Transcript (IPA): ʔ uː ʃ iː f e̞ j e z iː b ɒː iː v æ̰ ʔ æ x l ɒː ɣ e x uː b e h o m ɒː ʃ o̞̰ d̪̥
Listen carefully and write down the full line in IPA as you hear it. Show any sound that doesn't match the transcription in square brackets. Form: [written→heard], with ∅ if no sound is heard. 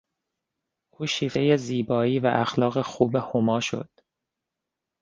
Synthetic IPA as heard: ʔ uː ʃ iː f e̞ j e z iː b ɒː iː v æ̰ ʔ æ x l ɒː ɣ e x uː b e h o m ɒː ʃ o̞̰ d̪̥

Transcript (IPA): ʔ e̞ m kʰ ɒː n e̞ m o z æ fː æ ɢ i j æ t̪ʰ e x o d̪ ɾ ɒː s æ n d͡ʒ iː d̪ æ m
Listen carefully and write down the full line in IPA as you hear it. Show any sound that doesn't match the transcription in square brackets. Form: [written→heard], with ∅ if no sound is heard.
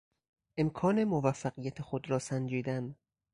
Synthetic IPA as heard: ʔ e̞ m kʰ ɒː n e̞ m o [z→v] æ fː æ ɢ i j æ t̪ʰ e x o d̪ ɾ ɒː s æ n d͡ʒ iː d̪ æ [m→n]

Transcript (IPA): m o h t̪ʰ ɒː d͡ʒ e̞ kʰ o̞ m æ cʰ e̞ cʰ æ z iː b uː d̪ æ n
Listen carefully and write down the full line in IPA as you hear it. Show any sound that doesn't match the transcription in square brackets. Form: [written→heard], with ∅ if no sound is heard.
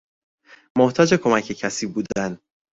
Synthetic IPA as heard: m o h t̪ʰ ɒː d͡ʒ e̞ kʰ o̞ m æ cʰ e̞ cʰ æ [z→s] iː b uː d̪ æ n

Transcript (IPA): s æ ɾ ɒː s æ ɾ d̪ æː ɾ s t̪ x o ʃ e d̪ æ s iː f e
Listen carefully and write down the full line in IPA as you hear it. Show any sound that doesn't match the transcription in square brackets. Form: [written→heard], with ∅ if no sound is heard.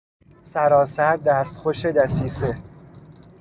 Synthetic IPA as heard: s æ ɾ ɒː s æ ɾ d̪ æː [ɾ→∅] s t̪ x o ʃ e d̪ æ s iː [f→s] e

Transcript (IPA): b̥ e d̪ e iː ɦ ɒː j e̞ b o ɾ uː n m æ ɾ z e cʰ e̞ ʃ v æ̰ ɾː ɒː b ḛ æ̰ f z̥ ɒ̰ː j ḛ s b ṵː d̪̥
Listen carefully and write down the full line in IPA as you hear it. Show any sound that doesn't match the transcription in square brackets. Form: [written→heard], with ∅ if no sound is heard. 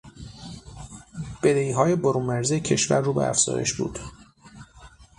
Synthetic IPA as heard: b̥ e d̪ e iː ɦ ɒː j e̞ b o ɾ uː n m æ ɾ z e cʰ e̞ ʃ v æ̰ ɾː [ɒː→uː] b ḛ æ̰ f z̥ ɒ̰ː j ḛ [s→ʃ] b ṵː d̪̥

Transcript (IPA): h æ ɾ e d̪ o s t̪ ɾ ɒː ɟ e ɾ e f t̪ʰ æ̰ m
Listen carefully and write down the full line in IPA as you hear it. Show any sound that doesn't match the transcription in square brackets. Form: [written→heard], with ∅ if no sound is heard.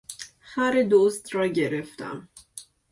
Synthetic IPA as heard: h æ ɾ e d̪ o s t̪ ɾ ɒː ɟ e ɾ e f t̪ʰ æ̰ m

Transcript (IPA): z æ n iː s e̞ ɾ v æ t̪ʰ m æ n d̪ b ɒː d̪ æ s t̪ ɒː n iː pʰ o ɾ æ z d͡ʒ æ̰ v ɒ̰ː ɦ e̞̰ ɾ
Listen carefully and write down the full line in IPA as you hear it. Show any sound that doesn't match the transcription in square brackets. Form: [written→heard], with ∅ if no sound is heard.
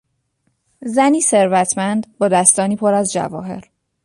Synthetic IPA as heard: z æ n iː s e̞ ɾ v æ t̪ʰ m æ n d̪ b ɒː d̪ æ s t̪ ɒː n iː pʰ o ɾ æ z d͡ʒ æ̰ v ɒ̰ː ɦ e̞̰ ɾ

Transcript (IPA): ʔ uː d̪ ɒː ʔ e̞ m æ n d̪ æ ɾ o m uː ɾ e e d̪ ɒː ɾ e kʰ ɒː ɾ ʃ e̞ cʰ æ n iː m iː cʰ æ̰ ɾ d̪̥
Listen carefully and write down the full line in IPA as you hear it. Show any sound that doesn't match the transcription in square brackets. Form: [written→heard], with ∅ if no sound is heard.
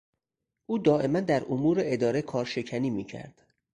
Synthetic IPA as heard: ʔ uː d̪ ɒː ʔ e̞ m æ n d̪ æ ɾ o m uː ɾ e e d̪ ɒː ɾ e kʰ ɒː ɾ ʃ e̞ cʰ æ n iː m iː cʰ æ̰ ɾ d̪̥

